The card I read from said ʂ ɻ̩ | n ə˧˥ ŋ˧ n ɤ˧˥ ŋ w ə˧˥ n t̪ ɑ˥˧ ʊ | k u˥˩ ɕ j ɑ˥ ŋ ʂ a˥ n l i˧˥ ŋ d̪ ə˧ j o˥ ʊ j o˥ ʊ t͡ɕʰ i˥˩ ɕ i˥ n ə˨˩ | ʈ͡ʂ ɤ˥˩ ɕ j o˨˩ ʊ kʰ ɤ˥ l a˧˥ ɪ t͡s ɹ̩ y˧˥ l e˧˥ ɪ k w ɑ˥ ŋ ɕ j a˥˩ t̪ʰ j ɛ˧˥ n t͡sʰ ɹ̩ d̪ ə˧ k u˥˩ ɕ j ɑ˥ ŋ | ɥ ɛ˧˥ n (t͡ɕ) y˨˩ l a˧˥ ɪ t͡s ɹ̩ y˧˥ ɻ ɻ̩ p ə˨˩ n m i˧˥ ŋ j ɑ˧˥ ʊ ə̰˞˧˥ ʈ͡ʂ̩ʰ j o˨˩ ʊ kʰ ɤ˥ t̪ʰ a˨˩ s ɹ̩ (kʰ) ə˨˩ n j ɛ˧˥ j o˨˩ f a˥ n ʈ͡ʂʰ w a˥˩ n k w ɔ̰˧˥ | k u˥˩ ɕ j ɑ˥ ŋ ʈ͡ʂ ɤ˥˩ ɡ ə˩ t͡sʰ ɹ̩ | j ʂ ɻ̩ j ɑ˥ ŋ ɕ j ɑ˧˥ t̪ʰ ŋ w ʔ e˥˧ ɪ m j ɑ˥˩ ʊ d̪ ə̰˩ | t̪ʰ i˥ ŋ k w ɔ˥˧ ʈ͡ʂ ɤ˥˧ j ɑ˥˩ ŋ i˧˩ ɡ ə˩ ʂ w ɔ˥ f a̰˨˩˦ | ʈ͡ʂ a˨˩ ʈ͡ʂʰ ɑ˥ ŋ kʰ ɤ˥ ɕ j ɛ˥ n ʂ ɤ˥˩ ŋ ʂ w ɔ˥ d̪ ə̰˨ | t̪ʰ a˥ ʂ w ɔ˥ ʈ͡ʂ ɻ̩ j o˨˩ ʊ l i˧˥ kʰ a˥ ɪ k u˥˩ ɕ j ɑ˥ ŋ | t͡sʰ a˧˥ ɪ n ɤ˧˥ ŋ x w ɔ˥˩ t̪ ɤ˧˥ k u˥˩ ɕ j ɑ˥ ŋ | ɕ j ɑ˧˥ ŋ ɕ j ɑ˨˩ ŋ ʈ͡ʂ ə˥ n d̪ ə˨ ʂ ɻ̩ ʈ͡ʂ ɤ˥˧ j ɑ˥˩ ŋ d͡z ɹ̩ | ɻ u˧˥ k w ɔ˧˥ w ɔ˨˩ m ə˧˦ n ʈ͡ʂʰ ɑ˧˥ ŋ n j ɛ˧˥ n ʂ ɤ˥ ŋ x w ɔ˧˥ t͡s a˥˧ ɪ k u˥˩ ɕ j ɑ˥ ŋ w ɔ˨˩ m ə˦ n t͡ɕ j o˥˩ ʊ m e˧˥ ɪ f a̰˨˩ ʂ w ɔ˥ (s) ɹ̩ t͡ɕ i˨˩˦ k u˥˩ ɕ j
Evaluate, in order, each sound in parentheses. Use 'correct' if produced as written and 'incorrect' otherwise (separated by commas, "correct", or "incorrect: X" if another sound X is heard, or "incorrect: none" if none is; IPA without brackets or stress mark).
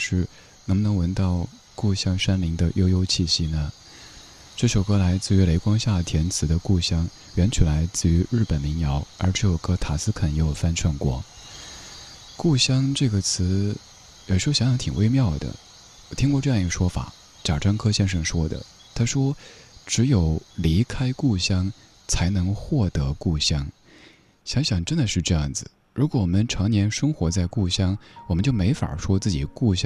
incorrect: t͡ɕʰ, correct, incorrect: t͡s